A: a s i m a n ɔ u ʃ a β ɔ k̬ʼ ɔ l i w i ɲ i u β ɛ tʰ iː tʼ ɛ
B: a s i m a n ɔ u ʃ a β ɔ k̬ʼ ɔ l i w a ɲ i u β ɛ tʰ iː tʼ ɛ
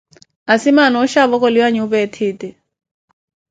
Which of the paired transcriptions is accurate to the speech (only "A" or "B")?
B